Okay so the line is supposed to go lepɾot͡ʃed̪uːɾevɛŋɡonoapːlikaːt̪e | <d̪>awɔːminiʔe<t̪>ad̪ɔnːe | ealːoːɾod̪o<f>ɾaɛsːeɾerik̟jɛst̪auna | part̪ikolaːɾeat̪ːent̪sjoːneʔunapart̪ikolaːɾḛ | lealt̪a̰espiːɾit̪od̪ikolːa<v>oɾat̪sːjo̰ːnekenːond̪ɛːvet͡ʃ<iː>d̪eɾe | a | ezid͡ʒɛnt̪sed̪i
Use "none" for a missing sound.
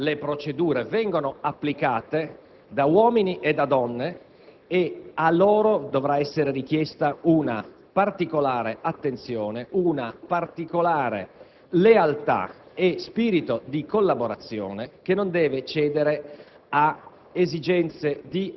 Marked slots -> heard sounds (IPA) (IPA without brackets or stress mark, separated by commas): d̪, d̪, v, b, ɛː